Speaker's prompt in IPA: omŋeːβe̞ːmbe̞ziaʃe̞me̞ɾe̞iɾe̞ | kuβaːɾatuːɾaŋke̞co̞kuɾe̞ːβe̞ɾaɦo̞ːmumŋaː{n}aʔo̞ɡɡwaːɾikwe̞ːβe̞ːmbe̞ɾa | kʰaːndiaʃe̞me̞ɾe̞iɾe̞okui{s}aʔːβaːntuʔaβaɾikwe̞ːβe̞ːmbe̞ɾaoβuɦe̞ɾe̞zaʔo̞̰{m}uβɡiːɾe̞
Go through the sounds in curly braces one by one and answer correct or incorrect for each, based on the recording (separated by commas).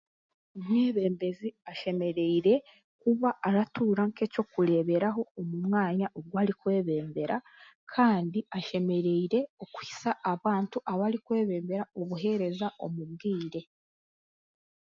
incorrect, correct, correct